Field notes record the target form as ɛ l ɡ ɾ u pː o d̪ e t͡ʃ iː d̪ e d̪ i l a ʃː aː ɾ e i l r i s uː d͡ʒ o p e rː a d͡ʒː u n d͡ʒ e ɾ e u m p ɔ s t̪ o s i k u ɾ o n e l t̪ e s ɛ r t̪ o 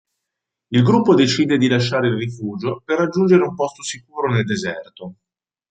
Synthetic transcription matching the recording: i l ɡ ɾ u pː o d̪ e t͡ʃ iː d̪ e d̪ i l a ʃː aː ɾ e i l r i f uː d͡ʒ o p e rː a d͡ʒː u n d͡ʒ e ɾ e u m p ɔ s t̪ o s i k uː ɾ o n e l d̪ e z ɛ r t̪ o